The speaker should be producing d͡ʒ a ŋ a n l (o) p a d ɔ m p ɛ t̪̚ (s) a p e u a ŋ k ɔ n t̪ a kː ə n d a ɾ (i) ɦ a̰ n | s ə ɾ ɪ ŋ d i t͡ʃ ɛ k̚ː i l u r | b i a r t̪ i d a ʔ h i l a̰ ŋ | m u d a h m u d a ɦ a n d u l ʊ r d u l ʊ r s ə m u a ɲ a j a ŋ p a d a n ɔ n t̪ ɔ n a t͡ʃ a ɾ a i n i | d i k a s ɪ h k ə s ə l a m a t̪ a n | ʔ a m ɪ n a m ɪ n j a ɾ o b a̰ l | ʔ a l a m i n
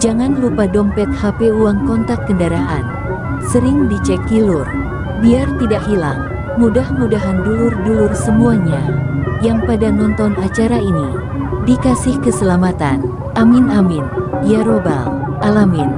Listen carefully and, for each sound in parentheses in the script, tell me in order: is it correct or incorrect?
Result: incorrect, incorrect, incorrect

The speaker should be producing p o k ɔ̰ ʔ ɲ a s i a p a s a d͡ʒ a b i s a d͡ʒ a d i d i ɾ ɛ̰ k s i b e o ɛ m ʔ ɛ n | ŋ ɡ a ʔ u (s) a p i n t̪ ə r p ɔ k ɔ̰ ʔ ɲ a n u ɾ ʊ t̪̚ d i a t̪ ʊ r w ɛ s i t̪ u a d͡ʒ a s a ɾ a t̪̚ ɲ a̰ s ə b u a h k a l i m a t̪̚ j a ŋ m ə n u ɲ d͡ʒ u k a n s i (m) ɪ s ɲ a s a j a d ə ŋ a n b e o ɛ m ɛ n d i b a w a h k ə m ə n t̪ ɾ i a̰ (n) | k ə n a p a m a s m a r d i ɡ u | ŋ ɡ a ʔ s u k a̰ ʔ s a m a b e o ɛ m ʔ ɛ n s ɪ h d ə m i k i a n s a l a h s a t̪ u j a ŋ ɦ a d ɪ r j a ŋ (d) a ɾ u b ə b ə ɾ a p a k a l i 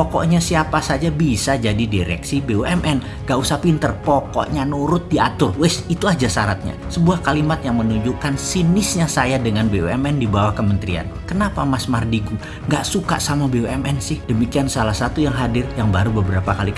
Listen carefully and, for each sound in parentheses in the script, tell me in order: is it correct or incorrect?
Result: correct, incorrect, correct, incorrect

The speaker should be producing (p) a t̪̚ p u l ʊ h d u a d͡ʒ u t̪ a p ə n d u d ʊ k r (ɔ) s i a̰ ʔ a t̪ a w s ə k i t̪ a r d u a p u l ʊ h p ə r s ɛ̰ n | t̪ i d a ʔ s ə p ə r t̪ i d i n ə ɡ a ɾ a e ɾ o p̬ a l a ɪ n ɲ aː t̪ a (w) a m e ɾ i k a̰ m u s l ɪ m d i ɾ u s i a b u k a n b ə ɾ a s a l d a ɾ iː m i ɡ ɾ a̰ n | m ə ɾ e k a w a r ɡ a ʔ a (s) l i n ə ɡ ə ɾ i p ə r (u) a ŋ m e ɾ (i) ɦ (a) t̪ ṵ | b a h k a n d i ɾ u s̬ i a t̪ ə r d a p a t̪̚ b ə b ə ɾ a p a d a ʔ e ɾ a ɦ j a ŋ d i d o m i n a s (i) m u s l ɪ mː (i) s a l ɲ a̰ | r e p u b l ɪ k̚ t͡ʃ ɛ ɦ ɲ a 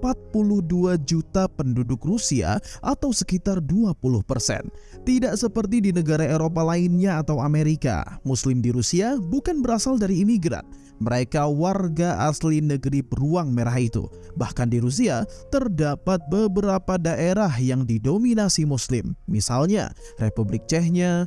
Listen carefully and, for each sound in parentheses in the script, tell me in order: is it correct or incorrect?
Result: correct, incorrect, correct, correct, correct, incorrect, incorrect, correct, correct

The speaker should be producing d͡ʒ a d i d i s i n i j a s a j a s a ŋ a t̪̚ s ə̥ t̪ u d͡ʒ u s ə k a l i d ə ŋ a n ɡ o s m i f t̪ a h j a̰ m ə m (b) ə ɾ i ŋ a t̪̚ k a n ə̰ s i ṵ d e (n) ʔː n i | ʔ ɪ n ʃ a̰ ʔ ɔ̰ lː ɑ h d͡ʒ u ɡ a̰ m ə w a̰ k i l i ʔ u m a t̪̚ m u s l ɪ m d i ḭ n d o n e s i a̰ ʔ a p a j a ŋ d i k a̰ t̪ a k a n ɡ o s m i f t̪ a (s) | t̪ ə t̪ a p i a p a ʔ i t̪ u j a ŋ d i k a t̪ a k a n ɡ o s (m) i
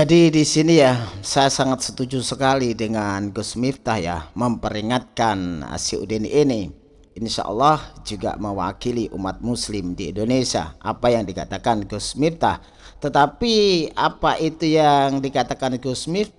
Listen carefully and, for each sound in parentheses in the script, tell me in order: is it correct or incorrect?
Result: incorrect, correct, incorrect, correct

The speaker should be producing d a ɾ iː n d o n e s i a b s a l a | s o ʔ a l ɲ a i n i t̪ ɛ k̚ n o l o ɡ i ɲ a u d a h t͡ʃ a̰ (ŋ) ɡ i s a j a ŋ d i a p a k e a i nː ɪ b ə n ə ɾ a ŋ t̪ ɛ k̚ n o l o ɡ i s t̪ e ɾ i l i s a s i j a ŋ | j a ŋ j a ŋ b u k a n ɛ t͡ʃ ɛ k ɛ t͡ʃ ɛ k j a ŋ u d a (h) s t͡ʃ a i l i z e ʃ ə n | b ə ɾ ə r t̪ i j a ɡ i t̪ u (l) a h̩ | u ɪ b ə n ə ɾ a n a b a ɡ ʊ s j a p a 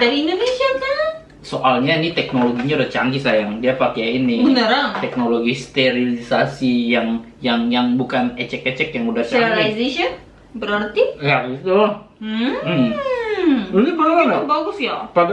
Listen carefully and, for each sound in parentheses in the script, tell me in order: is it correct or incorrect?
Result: correct, correct, correct

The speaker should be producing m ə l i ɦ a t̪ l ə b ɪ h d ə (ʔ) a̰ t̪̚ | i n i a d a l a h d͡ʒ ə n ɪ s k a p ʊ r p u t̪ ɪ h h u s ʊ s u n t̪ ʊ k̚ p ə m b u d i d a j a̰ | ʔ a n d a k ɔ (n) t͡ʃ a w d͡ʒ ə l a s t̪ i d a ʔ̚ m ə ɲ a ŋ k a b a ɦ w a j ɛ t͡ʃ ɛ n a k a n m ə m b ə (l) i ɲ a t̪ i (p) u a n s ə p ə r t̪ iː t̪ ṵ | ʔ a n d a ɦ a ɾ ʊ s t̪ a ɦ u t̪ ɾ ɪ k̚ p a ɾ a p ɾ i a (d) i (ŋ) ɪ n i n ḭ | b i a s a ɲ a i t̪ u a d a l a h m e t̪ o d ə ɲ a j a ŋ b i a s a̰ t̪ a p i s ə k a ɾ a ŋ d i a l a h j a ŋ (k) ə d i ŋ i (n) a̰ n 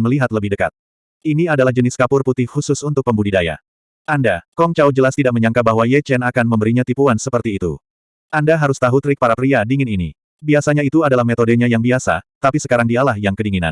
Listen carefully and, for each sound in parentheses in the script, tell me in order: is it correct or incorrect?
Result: incorrect, incorrect, incorrect, correct, correct, correct, correct, correct

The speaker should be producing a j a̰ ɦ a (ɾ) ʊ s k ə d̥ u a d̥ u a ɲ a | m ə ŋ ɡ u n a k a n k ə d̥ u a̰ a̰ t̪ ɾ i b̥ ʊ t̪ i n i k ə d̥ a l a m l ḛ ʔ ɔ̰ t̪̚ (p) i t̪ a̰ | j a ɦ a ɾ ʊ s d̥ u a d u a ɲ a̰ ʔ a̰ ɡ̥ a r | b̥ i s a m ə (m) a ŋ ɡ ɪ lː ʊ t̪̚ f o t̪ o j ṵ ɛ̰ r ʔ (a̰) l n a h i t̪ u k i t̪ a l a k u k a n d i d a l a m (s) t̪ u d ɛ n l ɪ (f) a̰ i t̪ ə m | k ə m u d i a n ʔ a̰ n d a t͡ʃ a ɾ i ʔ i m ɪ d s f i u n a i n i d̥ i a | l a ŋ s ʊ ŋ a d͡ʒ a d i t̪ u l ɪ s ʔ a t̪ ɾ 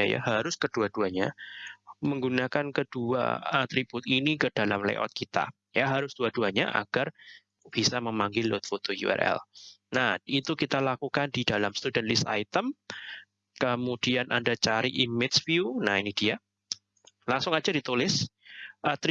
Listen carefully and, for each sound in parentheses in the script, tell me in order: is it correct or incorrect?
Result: correct, incorrect, correct, incorrect, correct, incorrect

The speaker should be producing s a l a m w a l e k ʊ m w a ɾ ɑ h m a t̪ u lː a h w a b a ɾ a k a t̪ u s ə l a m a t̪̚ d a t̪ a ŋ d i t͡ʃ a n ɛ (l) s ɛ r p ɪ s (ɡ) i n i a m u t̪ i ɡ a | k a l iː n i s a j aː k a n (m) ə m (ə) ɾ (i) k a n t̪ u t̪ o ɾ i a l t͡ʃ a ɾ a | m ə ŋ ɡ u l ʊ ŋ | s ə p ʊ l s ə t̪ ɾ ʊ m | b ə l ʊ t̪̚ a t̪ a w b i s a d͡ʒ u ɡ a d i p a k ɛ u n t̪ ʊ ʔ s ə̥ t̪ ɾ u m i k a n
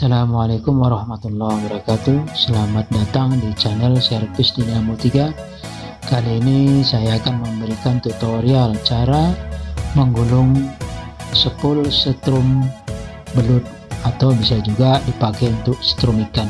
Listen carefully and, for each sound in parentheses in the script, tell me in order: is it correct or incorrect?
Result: correct, incorrect, correct, correct, correct

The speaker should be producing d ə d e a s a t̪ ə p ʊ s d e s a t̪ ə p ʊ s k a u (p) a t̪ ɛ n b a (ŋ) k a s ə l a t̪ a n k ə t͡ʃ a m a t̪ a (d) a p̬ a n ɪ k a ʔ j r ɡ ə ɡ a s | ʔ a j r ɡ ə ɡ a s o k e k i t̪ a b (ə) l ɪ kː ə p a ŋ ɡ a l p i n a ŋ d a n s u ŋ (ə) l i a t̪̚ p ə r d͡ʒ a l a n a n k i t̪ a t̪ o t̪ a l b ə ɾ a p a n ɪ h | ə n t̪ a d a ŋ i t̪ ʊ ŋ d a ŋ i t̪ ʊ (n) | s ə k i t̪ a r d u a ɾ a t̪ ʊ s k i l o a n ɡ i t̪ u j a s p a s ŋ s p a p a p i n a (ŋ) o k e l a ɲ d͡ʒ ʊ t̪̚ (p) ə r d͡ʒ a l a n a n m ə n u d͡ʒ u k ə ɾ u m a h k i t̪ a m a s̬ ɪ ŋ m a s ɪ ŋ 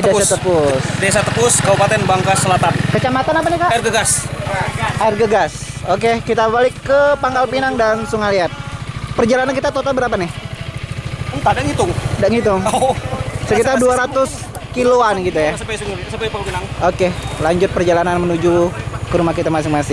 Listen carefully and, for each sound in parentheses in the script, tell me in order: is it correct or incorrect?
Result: correct, correct, incorrect, incorrect, incorrect, incorrect, correct, correct

